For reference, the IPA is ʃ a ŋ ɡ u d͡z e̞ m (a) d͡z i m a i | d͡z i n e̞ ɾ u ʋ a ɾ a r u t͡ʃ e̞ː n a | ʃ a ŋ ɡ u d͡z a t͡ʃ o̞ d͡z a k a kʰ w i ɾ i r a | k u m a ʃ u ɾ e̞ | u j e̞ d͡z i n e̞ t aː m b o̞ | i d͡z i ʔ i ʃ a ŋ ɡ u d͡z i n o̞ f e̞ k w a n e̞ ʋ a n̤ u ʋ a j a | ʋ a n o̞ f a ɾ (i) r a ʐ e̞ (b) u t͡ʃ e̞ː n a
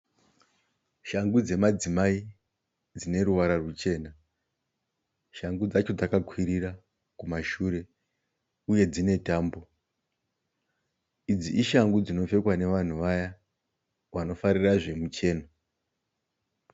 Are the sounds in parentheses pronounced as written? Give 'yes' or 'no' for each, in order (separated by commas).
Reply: yes, yes, no